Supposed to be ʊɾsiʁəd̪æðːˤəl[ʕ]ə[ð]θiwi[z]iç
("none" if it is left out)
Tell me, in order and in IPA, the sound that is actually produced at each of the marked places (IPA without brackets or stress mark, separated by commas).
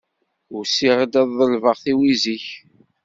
v, ʁ, z